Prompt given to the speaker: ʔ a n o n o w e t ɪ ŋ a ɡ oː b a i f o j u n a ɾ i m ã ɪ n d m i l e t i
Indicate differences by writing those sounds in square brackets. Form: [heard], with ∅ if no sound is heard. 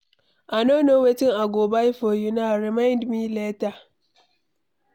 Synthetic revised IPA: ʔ a n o n o w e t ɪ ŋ a ɡ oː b a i f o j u n a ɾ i m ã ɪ n d m i l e t [a]